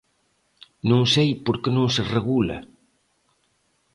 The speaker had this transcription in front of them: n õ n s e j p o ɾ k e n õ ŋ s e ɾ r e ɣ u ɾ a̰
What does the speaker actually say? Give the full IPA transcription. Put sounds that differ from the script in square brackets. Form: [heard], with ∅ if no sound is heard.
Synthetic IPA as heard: n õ [ŋ] s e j p o ɾ k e n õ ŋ s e [∅] r e ɣ u [l] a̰